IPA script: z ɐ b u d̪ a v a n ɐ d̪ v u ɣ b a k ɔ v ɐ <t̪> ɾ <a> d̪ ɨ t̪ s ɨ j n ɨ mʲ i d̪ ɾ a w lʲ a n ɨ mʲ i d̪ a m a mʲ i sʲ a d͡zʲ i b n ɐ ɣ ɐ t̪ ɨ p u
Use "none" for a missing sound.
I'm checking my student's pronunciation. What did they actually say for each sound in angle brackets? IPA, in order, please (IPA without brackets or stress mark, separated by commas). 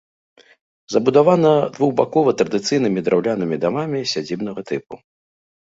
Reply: t̪, ɐ